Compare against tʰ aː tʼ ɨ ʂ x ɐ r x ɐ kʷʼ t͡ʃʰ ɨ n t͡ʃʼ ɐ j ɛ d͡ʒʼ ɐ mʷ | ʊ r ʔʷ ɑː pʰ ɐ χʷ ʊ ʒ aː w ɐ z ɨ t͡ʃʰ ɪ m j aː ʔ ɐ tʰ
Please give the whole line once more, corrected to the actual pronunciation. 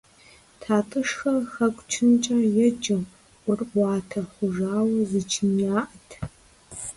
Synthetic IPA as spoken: tʰ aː tʼ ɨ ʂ x ɐ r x ɐ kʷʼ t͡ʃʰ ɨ n t͡ʃʼ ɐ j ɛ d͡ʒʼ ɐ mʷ | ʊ r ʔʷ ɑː tʰ ɐ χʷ ʊ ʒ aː w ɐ z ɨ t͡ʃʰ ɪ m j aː ʔ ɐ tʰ

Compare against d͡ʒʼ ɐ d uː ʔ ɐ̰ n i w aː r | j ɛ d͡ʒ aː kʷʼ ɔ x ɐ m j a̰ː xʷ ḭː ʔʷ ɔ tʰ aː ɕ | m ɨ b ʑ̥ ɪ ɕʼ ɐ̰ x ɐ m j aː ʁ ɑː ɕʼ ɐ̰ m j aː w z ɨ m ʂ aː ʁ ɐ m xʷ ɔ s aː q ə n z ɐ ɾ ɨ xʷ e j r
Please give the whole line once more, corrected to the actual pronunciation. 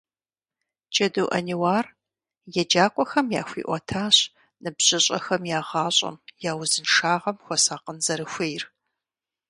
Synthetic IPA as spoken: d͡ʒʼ ɐ d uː ʔ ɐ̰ n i w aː r | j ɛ d͡ʒ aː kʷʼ ɔ x ɐ m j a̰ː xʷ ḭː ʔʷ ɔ tʰ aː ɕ | n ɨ b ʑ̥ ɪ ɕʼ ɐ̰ x ɐ m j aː ʁ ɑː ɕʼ ɐ̰ m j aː w z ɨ n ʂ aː ʁ ɐ m xʷ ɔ s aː q ə n z ɐ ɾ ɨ xʷ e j r

